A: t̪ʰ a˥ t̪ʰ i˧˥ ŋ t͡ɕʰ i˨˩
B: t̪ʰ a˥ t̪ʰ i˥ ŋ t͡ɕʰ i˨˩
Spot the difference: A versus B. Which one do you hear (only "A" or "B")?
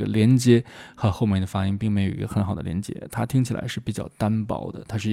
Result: B